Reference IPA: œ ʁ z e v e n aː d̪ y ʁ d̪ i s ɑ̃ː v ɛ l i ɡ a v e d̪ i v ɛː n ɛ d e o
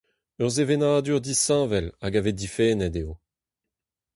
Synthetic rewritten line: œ ʁ z e v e n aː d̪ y ʁ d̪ i s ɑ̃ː v ɛ l a ɡ a v e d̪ i f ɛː n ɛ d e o